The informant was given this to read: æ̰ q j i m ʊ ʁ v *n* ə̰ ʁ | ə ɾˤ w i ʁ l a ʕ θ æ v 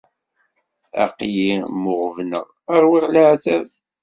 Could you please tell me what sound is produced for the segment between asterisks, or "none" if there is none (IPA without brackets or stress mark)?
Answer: n